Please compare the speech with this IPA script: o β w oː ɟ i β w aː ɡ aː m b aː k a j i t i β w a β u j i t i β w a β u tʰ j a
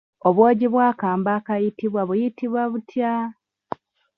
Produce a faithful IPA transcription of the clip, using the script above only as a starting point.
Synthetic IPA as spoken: o β w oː ɟ i β w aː k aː m b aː k a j i t i β w a β u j i t i β w a β u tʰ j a